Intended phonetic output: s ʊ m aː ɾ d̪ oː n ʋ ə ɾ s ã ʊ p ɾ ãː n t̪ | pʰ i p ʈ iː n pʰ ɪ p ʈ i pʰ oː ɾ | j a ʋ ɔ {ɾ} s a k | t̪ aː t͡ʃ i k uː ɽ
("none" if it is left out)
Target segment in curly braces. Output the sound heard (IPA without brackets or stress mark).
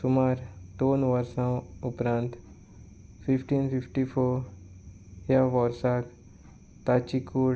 ɾ